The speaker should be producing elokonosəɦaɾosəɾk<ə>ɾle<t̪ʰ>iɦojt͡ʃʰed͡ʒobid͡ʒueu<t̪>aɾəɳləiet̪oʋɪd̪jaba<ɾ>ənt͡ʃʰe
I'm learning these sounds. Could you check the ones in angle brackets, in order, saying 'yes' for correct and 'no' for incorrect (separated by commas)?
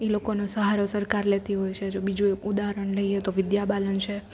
no, no, no, no